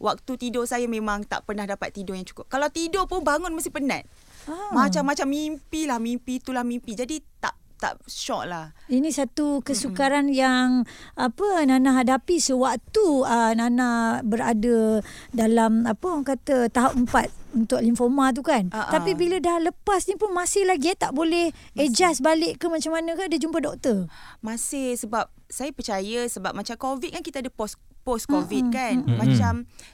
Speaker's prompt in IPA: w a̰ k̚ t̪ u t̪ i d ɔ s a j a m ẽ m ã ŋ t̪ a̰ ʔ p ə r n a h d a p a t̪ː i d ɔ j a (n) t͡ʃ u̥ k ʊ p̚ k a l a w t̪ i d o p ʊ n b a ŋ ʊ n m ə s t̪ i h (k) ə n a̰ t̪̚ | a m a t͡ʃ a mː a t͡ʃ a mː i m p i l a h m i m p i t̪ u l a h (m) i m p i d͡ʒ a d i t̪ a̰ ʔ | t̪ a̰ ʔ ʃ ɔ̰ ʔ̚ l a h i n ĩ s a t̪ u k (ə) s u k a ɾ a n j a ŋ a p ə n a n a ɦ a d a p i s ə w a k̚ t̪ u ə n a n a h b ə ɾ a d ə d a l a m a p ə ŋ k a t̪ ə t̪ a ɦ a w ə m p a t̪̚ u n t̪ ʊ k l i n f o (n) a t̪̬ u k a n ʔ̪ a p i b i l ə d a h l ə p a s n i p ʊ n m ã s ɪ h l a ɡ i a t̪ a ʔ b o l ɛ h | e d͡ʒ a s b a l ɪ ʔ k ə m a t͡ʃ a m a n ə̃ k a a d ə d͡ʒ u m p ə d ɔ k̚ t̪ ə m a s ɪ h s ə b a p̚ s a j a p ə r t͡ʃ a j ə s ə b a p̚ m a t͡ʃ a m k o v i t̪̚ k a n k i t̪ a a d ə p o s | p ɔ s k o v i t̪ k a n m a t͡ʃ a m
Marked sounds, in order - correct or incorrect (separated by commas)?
incorrect, incorrect, correct, correct, incorrect